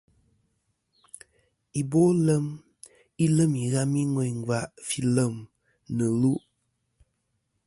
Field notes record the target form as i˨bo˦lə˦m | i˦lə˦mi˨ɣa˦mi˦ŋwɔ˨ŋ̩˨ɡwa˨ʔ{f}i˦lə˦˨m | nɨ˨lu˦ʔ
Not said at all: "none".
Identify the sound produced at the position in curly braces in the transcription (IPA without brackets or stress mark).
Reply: f